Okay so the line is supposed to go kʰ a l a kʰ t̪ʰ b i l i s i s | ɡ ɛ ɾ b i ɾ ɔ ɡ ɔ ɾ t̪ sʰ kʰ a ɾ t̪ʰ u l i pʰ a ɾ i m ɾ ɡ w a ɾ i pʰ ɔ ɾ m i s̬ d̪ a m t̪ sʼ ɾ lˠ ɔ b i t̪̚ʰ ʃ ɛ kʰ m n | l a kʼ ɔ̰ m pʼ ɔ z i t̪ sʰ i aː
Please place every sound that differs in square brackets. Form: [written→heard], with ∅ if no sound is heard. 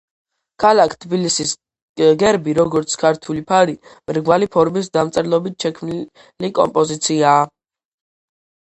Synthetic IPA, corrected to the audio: kʰ a l a kʰ t̪ʰ b i l i s i s | ɡ ɛ ɾ b i ɾ ɔ ɡ ɔ ɾ t̪ sʰ kʰ a ɾ t̪ʰ u l i pʰ a ɾ i m ɾ ɡ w a [ɾ→l] i pʰ ɔ ɾ m i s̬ d̪ a m t̪ sʼ ɾ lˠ ɔ b i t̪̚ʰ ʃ ɛ kʰ m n | l [a→i] kʼ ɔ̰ m pʼ ɔ z i t̪ sʰ i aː